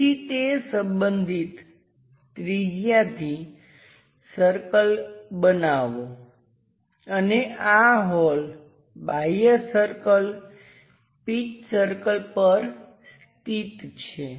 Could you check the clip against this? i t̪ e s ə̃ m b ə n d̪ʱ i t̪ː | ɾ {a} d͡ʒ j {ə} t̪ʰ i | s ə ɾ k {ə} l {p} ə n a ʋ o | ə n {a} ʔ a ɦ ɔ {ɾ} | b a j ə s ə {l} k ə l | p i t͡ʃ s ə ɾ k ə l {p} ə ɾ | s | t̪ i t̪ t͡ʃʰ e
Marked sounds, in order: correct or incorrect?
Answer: incorrect, incorrect, correct, incorrect, incorrect, incorrect, incorrect, correct

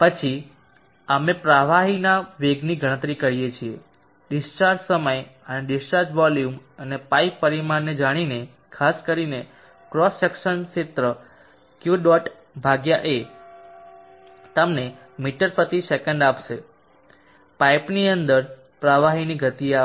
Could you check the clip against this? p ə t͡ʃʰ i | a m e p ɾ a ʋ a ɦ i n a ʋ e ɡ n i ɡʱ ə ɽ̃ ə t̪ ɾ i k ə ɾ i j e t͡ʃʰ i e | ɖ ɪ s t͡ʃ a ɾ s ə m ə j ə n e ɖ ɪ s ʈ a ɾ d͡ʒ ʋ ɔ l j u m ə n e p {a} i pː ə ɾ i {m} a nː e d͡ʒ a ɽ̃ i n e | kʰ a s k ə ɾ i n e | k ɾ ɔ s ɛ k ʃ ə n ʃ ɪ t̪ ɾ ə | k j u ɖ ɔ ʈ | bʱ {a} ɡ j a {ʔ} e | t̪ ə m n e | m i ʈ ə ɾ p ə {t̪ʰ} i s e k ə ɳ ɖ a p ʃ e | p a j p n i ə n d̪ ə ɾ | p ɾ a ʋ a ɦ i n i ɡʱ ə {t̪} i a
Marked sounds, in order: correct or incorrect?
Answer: correct, correct, correct, correct, incorrect, correct

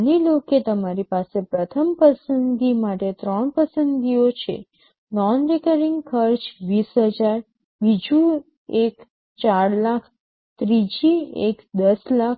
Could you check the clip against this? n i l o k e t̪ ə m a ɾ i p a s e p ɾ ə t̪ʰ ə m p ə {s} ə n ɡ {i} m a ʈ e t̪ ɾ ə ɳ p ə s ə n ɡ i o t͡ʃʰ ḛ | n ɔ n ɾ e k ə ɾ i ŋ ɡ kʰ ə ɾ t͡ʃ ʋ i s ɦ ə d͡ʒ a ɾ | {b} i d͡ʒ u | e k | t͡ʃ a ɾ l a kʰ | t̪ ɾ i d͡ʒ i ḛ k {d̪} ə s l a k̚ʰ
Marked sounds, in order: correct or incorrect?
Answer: correct, correct, correct, correct

